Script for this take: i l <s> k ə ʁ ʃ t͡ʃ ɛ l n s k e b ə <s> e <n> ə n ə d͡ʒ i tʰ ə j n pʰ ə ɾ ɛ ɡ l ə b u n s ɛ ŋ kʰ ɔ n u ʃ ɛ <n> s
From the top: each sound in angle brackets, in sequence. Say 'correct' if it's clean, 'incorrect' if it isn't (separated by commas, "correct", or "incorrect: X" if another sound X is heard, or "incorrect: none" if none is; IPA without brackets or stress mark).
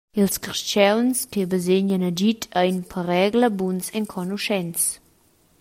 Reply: correct, incorrect: z, incorrect: ɲ, correct